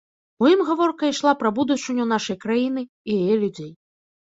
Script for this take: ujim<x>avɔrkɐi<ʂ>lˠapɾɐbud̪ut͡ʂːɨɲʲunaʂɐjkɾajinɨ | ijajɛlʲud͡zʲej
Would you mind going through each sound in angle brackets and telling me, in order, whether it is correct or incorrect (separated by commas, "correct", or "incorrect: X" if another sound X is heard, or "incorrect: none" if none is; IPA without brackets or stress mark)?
incorrect: ɣ, correct